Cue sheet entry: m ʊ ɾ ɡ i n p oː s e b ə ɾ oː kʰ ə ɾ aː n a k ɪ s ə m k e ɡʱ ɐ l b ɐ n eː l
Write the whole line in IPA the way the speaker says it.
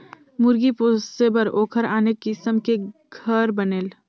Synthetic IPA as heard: m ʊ ɾ ɡ i p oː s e b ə ɾ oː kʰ ə ɾ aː n e k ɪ s ə m k e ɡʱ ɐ ɾ b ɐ n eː l

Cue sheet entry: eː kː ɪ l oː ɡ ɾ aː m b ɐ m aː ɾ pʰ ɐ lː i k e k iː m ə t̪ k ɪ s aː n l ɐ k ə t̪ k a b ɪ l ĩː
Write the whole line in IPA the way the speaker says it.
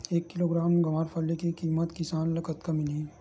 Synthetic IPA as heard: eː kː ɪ l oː ɡ ɾ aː m ɡ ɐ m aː ɾ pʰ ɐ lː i k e k iː m ə t̪ k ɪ s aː n l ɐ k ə t̪ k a m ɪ l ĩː

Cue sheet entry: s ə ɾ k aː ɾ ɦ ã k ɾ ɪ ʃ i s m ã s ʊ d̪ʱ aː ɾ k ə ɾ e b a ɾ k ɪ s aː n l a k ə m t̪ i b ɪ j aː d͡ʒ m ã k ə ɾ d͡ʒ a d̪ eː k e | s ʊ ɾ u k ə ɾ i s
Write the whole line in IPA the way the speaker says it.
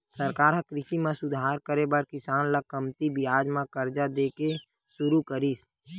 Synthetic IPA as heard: s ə ɾ k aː ɾ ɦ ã k ɾ ɪ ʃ i m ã s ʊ d̪ʱ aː ɾ k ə ɾ e b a ɾ k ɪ s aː n l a k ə m t̪ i b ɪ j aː d͡ʒ m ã k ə ɾ d͡ʒ a d̪ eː k e | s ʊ ɾ u k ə ɾ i s

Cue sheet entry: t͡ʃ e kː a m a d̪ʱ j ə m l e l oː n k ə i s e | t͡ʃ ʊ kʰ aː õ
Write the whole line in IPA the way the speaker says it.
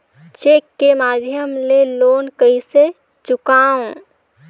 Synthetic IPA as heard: t͡ʃ e kː e m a d̪ʱ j ə m l e l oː n k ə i s e | t͡ʃ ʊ k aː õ

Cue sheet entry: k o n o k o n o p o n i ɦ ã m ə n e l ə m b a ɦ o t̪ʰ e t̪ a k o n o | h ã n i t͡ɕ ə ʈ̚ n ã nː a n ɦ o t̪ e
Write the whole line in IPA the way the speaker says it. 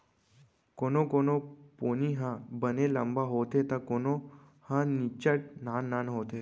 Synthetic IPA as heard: k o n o k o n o p o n i ɦ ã b ə n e l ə m b a ɦ o t̪ e t̪ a k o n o | h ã n i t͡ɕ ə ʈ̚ n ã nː a n ɦ o t̪ e

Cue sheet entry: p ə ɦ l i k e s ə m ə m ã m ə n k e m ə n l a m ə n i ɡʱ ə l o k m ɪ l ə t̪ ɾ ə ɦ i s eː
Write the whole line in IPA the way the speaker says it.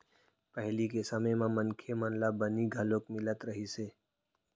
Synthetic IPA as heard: p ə ɦ l i k e s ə m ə m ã m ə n kʰ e m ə n l a b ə n i ɡʱ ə l o k m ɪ l ə t̪ ɾ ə ɦ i s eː

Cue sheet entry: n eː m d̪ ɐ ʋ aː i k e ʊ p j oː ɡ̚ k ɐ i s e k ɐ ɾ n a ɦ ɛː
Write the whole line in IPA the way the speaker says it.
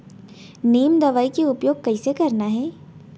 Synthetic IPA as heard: n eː m d̪ ɐ ʋ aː i k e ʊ p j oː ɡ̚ k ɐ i s e k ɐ ɾ n a ɦ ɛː

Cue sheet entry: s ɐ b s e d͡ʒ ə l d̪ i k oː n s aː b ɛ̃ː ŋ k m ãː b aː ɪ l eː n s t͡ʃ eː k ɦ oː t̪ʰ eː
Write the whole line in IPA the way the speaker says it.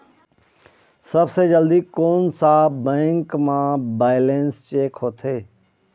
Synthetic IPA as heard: s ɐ b s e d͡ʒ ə l d̪ i k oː n s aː b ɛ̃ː ŋ k m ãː b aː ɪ l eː n s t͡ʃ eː k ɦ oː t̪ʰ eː

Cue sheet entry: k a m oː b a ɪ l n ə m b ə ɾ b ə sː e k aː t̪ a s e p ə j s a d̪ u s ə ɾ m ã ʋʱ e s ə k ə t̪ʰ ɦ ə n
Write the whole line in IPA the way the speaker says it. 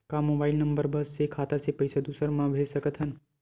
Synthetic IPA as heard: k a m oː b a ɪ l n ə m b ə ɾ b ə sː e kʰ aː t̪ a s e p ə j s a d̪ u s ə ɾ m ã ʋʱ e s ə k ə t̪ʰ ɦ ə n

